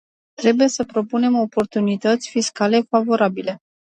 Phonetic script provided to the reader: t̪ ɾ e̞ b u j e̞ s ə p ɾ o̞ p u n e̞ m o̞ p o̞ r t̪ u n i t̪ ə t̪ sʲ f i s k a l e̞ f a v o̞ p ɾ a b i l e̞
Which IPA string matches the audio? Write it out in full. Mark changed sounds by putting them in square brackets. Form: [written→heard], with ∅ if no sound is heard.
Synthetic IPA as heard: t̪ ɾ e̞ b u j e̞ s ə p ɾ o̞ p u n e̞ m o̞ p o̞ r t̪ u n i t̪ ə t̪ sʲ f i s k a l e̞ f a v o̞ [p→∅] ɾ a b i l e̞